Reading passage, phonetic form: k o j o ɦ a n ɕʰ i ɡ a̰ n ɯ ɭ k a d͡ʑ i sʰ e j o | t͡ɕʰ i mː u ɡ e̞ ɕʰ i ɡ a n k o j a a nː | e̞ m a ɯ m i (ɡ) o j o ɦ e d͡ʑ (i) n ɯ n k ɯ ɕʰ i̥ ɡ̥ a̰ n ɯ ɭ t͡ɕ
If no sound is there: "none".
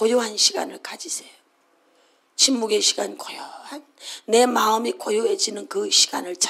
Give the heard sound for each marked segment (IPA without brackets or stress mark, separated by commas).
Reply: k, i